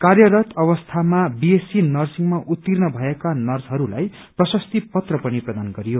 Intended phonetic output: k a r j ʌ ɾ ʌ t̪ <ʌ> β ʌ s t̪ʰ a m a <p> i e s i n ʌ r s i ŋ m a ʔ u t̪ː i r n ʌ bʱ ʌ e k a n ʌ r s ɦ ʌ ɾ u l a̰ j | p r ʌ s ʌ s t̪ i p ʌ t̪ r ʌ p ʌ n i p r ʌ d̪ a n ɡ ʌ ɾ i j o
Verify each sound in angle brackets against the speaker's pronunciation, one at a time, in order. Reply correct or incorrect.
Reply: correct, incorrect

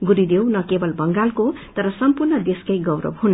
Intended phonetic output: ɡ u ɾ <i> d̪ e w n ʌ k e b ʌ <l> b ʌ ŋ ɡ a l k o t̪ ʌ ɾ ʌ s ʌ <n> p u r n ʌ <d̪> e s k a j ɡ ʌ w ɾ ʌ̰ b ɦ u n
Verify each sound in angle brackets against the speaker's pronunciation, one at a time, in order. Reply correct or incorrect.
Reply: correct, correct, incorrect, correct

